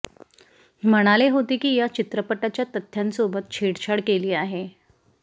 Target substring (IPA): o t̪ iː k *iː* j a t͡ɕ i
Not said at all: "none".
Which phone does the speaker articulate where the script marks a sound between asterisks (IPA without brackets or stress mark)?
iː